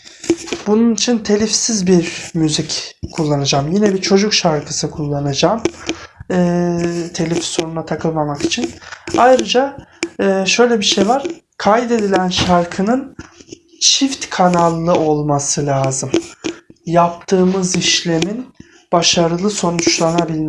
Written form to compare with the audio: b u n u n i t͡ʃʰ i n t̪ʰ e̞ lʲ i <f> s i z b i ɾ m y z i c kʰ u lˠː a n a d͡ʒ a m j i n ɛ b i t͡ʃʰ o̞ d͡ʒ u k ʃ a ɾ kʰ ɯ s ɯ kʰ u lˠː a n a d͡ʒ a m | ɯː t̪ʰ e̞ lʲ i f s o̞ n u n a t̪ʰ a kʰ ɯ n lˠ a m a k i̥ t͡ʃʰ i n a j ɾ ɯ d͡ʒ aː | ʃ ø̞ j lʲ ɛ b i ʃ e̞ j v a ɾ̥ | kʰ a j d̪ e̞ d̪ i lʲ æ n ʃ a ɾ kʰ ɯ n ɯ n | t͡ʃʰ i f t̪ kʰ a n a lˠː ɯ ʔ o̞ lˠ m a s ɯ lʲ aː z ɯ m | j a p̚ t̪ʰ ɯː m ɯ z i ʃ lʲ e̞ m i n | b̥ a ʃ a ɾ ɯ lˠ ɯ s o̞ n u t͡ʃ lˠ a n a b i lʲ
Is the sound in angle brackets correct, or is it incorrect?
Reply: correct